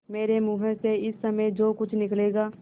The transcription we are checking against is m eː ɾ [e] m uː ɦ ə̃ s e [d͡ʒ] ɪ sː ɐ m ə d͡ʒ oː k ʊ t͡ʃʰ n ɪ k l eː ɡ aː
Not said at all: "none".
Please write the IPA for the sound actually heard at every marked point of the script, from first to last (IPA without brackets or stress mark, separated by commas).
e, none